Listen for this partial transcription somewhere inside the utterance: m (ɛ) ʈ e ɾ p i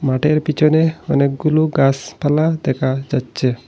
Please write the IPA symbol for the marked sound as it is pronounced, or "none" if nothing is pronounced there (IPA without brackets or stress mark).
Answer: a